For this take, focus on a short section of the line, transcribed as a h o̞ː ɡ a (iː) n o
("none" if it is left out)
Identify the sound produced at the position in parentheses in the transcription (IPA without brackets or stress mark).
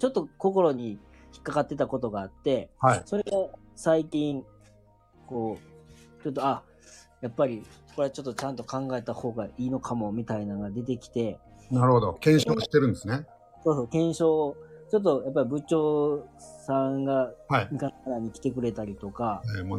iː